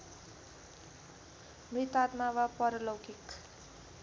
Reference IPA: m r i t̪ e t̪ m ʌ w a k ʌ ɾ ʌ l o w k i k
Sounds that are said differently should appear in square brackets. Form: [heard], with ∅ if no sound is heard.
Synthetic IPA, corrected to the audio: m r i t̪ [a] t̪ m [a] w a [p] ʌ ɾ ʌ l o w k i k